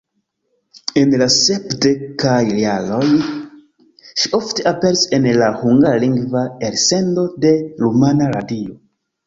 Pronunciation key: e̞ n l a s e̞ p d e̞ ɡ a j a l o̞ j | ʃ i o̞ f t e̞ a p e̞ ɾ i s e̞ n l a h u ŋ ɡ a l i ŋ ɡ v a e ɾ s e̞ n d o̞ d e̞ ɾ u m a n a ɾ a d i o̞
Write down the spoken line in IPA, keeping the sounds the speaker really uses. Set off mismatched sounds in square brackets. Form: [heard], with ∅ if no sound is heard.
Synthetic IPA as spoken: e̞ n l a s e̞ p d e̞ [k] a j a l o̞ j | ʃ i o̞ f t e̞ a p e̞ ɾ i s e̞ n l a h u ŋ ɡ a l i ŋ ɡ v a e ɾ s e̞ n d o̞ d e̞ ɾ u m a n a ɾ a d i o̞

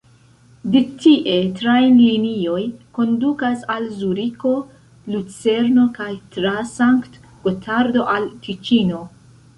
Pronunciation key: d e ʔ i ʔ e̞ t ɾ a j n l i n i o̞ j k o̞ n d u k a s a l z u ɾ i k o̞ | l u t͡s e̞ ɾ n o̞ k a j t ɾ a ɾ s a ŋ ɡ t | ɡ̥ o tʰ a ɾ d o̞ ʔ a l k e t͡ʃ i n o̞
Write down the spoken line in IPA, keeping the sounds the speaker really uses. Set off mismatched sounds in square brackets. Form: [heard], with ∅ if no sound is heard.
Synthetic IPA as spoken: d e [t] i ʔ e̞ t ɾ a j n l i n i o̞ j k o̞ n d u k a s a l z u ɾ i k o̞ | l u t͡s e̞ ɾ n o̞ k a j t ɾ a [∅] s a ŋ [k] t | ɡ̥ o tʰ a ɾ d o̞ ʔ a l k [i] t͡ʃ i n o̞

